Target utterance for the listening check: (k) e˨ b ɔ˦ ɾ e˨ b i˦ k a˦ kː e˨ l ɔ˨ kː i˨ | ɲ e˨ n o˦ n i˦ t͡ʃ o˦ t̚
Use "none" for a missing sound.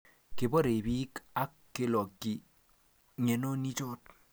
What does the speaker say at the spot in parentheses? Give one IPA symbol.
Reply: k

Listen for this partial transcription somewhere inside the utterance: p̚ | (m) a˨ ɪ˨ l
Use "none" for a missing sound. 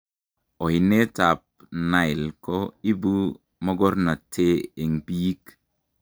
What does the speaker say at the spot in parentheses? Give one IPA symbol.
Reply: n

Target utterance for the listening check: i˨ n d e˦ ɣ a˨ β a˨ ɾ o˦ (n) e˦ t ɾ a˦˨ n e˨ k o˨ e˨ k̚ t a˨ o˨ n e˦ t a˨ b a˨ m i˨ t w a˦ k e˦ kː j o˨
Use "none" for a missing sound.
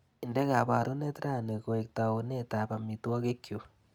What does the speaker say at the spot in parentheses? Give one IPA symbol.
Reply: n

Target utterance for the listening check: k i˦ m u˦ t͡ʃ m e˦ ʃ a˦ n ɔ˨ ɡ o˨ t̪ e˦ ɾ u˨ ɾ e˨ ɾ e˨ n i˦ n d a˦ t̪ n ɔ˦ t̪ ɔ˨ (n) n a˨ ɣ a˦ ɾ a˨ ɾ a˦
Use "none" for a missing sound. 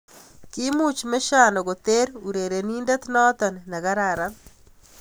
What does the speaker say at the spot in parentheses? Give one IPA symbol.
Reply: n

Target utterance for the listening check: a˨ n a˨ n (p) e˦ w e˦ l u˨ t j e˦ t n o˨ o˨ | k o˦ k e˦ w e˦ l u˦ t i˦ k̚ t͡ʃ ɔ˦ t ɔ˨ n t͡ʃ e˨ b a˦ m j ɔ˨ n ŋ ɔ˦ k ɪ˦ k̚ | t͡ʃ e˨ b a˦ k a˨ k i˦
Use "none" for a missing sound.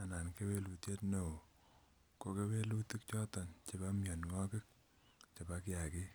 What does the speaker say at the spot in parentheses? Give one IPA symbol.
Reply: k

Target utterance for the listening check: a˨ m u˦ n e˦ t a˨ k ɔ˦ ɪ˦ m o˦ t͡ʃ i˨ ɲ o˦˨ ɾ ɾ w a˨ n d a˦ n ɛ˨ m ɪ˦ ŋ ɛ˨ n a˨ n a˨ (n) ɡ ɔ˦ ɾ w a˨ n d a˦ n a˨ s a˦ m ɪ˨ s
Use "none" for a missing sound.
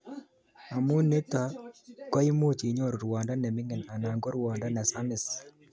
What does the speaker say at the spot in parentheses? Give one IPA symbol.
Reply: ŋ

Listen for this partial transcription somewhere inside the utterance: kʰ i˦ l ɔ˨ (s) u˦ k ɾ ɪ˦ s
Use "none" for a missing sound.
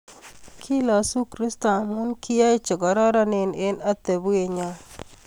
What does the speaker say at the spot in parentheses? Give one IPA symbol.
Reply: s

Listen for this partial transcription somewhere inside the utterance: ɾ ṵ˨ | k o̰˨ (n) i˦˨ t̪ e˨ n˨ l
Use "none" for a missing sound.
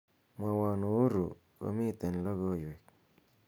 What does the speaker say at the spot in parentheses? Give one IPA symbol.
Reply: m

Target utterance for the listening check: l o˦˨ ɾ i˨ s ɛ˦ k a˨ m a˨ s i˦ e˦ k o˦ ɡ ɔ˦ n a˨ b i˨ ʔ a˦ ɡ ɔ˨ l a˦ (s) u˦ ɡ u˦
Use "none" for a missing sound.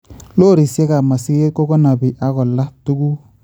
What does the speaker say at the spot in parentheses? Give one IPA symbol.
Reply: t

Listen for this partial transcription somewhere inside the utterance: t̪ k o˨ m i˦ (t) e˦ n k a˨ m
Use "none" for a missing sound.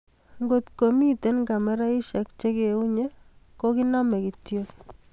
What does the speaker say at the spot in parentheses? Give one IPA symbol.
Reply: t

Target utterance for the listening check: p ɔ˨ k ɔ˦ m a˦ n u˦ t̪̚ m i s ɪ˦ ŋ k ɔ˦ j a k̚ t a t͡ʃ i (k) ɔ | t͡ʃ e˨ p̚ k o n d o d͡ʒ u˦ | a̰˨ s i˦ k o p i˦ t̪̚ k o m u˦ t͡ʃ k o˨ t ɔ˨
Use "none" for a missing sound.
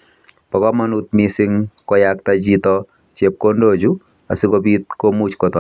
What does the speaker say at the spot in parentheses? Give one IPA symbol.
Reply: t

